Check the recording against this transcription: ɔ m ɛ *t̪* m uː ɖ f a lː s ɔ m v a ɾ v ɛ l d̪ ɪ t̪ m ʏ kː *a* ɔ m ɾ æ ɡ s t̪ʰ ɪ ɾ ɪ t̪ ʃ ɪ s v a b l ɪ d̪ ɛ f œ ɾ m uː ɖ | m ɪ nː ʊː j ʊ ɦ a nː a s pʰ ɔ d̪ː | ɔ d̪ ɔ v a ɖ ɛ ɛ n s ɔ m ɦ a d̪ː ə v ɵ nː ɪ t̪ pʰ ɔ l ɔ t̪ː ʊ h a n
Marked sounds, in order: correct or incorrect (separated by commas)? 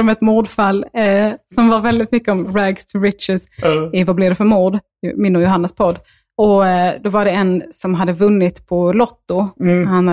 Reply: correct, incorrect